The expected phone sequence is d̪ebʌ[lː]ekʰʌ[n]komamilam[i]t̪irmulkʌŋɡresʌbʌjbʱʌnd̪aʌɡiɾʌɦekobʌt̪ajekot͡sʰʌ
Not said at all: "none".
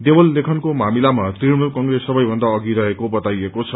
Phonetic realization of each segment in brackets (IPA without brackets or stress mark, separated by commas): lː, n, a